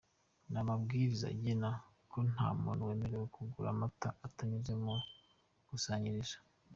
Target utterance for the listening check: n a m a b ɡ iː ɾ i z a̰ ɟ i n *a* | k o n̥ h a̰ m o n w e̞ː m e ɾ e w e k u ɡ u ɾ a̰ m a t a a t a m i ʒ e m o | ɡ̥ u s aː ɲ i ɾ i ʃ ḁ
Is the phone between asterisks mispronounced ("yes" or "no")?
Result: no